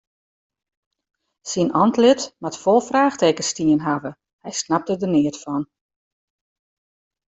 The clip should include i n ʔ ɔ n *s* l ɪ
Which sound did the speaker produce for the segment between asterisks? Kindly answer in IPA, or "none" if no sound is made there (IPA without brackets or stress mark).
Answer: t